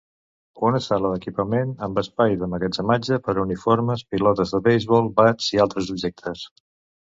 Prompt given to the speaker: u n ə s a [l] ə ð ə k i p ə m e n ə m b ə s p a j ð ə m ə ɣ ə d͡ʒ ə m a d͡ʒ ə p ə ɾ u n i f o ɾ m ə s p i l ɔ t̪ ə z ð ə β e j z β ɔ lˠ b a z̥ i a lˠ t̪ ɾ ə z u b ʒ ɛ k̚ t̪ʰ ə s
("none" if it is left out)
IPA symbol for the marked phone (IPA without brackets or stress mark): l